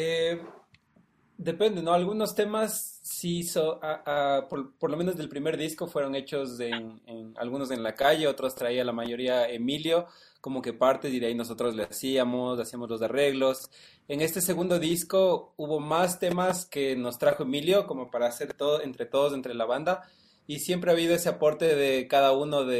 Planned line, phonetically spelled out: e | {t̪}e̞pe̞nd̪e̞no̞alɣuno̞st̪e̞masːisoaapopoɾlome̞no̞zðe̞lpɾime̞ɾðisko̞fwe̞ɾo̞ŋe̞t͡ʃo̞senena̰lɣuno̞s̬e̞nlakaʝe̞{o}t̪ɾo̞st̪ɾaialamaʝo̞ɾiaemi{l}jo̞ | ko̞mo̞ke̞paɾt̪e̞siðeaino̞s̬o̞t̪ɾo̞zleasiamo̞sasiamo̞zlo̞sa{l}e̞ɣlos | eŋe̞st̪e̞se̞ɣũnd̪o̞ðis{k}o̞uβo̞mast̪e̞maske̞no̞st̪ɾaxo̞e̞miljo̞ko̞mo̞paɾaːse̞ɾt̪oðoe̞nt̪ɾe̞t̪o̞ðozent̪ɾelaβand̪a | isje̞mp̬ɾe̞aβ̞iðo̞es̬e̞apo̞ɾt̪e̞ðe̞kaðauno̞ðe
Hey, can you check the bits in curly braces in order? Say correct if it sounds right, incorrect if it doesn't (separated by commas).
incorrect, correct, correct, incorrect, correct